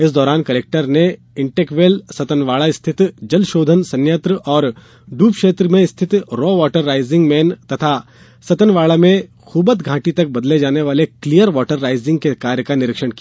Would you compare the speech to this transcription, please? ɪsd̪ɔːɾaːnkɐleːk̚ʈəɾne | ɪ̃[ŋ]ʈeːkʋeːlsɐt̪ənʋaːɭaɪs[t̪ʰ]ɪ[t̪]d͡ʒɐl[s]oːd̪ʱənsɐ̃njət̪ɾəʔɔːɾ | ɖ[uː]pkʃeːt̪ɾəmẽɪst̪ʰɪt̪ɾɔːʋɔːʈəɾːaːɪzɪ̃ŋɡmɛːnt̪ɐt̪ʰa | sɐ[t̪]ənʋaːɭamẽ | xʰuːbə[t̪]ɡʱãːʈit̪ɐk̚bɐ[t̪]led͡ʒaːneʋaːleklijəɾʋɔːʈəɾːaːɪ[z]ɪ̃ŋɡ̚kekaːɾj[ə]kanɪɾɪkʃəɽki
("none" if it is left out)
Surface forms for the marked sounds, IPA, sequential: ɳ, t̪ʰ, t̪, ʃ, uː, t̪, t̪, d̪, z, ə

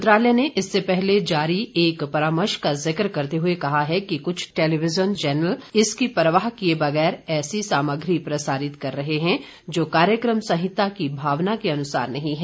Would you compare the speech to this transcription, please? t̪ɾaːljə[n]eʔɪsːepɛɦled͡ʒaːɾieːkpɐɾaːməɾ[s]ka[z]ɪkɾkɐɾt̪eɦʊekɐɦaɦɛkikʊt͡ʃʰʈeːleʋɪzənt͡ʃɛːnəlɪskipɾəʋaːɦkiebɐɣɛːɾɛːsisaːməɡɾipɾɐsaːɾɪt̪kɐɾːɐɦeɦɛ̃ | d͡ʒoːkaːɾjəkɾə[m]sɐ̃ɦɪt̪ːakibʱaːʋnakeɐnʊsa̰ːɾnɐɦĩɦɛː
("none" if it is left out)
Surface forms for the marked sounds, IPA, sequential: n, ʃ, z, m

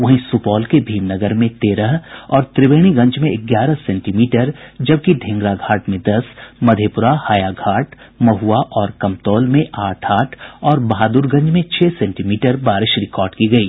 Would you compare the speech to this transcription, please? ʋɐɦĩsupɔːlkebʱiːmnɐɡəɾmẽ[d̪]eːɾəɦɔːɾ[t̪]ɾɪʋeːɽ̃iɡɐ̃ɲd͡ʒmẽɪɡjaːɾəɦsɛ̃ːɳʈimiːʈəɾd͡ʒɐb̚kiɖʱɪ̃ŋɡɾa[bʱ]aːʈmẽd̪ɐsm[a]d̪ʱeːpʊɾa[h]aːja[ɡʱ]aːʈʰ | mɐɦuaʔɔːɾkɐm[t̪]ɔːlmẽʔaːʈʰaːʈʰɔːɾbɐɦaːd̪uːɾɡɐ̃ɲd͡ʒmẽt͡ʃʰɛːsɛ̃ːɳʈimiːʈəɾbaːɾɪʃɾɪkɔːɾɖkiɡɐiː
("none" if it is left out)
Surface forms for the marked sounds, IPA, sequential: t̪, t̪, ɡʱ, ɐ, h, ɡʱ, t̪

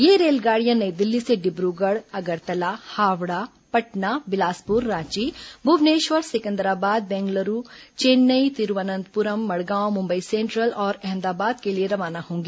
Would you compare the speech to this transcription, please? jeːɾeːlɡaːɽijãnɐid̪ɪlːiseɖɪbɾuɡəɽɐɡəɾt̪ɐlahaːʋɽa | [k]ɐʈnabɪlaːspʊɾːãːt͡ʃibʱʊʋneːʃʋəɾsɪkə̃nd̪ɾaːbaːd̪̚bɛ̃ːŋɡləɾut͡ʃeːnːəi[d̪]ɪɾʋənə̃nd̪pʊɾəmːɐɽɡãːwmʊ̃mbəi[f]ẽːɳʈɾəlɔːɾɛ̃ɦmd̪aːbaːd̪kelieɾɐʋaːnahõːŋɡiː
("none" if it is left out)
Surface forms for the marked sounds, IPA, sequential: p, t̪, s

